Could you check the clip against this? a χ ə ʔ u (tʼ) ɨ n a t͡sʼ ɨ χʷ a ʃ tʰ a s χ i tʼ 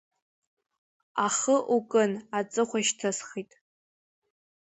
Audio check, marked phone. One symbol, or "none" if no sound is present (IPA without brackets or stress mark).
kʼ